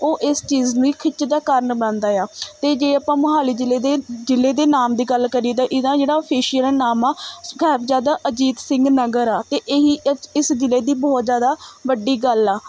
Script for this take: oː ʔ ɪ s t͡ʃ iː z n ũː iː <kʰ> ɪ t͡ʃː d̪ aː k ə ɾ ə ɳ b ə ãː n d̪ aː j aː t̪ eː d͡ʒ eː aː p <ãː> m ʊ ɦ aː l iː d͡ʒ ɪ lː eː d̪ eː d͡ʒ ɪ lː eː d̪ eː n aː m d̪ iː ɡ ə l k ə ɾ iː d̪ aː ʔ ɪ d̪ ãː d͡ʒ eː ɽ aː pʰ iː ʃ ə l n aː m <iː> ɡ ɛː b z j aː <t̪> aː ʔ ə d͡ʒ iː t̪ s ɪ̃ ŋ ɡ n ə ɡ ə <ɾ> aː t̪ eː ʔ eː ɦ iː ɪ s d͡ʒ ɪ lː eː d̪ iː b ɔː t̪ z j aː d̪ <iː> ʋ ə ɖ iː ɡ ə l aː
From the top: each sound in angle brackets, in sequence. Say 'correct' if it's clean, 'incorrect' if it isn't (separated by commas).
correct, correct, incorrect, incorrect, correct, incorrect